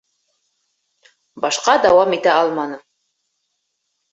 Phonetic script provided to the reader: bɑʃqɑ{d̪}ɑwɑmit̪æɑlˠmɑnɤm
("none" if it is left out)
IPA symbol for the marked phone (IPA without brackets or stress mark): d̪